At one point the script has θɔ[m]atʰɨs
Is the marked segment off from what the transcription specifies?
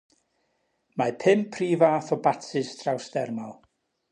yes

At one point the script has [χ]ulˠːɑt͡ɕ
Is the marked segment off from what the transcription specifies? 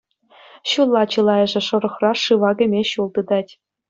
yes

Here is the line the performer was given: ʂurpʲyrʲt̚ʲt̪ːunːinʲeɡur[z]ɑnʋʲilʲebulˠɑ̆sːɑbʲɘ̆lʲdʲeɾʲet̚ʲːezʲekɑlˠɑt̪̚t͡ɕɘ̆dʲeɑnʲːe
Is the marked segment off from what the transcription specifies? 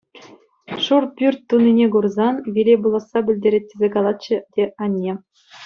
no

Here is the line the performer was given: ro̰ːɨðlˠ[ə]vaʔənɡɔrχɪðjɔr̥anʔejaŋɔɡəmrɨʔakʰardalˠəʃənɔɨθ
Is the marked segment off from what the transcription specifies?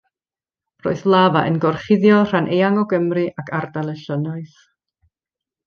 yes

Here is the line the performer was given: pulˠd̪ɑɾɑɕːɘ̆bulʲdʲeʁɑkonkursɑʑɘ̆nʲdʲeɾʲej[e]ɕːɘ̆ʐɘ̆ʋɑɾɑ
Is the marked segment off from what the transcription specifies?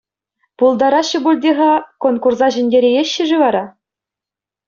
no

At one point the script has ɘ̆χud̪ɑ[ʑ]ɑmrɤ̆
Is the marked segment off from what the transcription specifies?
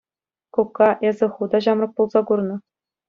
no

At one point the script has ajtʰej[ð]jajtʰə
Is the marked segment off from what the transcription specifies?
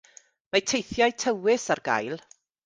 yes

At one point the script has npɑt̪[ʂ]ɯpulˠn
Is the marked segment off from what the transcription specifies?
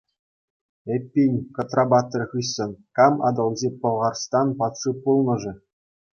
no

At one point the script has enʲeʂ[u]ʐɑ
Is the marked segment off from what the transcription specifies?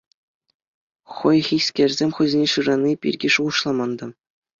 yes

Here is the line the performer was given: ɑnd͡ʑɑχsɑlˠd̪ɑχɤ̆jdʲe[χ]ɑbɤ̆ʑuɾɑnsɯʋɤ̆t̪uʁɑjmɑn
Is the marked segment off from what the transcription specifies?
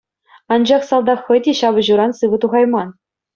yes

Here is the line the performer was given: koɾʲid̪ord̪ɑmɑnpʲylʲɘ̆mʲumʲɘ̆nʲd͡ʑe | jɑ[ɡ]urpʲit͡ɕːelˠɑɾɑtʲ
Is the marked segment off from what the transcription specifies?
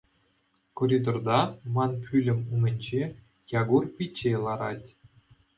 no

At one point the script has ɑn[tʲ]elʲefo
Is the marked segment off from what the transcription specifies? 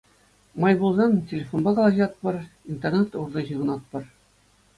no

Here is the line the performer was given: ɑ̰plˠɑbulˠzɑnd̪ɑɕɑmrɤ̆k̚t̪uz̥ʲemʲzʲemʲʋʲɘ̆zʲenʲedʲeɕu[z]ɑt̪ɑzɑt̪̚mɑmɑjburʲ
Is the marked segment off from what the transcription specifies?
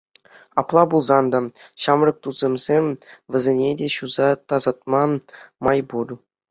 no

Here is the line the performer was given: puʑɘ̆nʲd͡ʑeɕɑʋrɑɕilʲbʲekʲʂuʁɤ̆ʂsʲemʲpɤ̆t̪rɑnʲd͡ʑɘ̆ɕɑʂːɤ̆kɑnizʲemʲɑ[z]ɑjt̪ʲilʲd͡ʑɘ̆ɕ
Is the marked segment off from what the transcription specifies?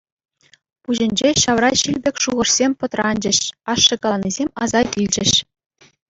no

